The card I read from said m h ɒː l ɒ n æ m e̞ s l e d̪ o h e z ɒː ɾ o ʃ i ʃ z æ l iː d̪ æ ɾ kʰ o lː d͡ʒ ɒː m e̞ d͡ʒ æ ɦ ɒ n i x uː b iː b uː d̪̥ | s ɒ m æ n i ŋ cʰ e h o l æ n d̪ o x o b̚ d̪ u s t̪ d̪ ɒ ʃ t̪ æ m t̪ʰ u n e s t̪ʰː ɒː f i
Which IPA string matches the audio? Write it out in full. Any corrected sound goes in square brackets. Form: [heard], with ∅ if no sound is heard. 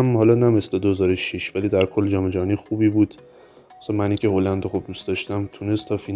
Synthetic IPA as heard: m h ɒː l ɒ n æ m e̞ s l e d̪ o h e z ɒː ɾ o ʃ i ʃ [v] æ l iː d̪ æ ɾ kʰ o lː d͡ʒ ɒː m e̞ d͡ʒ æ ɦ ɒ n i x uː b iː b uː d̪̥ | s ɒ m æ n i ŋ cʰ e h o l æ n d̪ o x o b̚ d̪ u s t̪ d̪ ɒ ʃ t̪ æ m t̪ʰ u n e s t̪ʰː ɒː f i